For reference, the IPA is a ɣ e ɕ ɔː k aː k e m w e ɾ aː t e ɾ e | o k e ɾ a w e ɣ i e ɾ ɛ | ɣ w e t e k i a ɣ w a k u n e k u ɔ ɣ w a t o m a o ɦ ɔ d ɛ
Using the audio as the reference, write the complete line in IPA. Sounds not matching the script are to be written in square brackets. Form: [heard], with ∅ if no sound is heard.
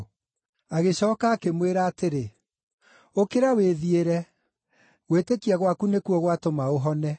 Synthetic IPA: a ɣ e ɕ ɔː k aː k e m w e ɾ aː t e ɾ e | o k e ɾ a w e [ð] i e ɾ ɛ | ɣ w e t e k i a ɣ w a k u n e k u ɔ ɣ w a t o m a o ɦ ɔ [n] ɛ